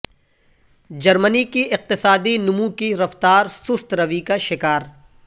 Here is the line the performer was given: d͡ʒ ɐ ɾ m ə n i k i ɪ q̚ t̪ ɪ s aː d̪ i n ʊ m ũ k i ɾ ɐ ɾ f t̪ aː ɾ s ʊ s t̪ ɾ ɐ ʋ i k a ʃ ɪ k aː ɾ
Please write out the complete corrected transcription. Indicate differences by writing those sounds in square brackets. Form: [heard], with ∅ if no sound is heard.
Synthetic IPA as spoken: d͡ʒ ɐ ɾ m ə n i k i ɪ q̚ t̪ ɪ s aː d̪ i n ʊ m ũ k i ɾ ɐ [∅] f t̪ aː ɾ s ʊ s t̪ ɾ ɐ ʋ i k a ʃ ɪ k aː ɾ

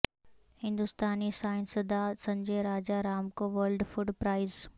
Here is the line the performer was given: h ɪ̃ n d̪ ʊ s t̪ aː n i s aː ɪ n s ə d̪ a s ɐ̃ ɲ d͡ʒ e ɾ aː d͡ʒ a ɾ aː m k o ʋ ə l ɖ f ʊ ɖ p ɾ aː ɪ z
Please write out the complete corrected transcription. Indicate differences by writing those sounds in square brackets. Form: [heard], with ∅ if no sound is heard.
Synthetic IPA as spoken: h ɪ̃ n d̪ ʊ s t̪ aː n i s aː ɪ n s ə d̪ a s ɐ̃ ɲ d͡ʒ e ɾ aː d͡ʒ a ɾ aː m k o ʋ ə l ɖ f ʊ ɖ p ɾ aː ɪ z

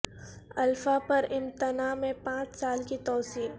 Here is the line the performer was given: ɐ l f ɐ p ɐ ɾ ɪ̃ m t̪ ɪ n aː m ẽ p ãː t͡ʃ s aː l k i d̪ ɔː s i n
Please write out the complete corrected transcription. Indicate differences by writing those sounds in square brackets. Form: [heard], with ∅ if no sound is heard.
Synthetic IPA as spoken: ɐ l f [a] p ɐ ɾ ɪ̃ m t̪ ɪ n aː m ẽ p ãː t͡ʃ s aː l k i [t̪] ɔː s [iː] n

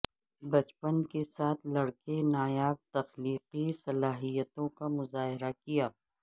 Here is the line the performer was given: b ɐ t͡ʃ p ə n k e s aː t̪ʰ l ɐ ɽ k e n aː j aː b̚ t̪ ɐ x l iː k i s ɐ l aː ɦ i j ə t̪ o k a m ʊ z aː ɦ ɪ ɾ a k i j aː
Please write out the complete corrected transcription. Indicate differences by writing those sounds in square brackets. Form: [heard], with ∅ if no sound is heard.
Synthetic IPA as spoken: b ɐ t͡ʃ p ə n k e s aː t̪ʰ l ɐ ɽ k e n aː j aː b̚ t̪ ɐ x l iː [q] i s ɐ l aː ɦ i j ə t̪ [õ] k a m ʊ z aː ɦ ɪ ɾ a k i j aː

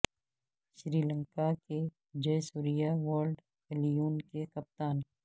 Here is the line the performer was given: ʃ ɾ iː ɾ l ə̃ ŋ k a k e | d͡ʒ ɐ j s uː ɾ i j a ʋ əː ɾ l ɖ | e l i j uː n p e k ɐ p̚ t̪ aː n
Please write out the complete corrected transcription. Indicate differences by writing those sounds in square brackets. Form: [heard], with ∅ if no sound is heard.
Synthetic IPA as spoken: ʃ ɾ iː [∅] l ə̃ ŋ k a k e | d͡ʒ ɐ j s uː ɾ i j a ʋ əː ɾ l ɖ | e l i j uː n [k] e k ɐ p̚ t̪ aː n

